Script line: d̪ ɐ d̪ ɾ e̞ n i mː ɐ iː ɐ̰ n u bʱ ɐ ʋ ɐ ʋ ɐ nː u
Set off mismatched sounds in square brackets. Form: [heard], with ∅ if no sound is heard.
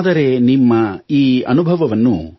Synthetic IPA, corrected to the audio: d̪ ɐ [∅] ɾ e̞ n i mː ɐ iː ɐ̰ n u bʱ ɐ ʋ ɐ ʋ ɐ nː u